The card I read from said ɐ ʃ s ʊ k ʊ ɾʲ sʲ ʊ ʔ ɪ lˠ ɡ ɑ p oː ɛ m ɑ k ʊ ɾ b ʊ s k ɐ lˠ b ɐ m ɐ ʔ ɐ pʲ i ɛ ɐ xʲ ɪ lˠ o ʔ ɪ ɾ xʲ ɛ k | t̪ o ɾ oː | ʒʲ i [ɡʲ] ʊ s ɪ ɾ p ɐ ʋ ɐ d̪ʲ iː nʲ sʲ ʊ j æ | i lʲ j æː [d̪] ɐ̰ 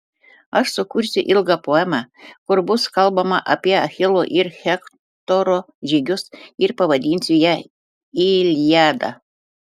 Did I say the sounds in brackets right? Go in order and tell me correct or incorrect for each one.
correct, correct

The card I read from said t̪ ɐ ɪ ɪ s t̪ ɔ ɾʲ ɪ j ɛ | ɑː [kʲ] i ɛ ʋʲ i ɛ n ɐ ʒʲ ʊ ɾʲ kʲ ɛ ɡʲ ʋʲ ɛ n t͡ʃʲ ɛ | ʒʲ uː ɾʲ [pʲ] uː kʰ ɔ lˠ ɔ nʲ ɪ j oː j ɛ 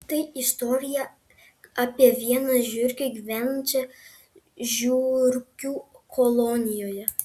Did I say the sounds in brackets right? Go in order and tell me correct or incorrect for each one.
incorrect: pʲ, incorrect: kʲ

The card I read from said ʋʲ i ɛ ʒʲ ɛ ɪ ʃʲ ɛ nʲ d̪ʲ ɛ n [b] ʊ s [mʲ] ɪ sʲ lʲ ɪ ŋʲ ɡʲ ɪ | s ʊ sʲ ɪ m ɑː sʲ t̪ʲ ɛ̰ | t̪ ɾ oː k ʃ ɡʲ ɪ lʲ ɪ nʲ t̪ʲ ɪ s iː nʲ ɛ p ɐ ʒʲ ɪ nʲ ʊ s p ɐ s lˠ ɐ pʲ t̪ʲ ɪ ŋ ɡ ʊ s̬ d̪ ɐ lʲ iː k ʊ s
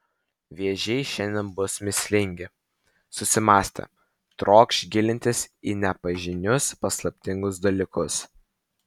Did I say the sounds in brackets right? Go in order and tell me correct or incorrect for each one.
correct, correct

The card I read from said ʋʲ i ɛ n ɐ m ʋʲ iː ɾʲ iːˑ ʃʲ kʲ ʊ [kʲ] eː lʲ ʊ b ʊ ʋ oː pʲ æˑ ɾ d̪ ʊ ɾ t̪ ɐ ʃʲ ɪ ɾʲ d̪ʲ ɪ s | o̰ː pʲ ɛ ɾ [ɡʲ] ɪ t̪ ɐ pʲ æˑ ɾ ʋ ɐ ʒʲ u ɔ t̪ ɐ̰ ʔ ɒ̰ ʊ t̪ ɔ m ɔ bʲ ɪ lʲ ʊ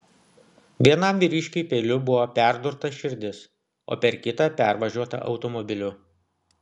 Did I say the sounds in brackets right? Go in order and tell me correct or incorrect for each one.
incorrect: pʲ, incorrect: kʲ

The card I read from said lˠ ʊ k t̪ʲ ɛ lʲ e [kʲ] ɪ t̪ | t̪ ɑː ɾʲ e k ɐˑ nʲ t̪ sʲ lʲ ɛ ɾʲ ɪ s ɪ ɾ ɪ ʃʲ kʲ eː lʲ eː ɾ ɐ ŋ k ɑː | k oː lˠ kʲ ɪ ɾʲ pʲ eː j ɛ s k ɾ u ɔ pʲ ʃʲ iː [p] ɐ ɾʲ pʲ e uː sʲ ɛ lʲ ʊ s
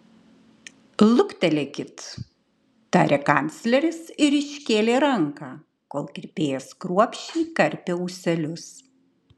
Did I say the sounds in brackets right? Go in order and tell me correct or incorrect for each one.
correct, incorrect: k

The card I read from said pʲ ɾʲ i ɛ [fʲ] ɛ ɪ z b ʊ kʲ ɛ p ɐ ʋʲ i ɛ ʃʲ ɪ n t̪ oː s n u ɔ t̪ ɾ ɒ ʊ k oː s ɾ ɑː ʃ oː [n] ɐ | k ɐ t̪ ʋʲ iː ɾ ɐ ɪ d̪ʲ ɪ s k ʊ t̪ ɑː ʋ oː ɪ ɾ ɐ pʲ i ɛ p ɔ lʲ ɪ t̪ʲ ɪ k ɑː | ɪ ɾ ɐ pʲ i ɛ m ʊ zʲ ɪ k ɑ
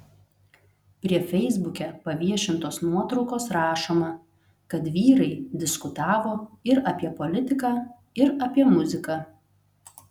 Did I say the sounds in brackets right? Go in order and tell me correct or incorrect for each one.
correct, incorrect: m

